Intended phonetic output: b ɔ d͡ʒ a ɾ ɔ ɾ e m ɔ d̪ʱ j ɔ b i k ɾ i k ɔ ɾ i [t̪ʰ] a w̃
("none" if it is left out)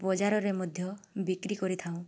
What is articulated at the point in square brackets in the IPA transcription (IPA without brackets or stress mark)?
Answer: t̪ʰ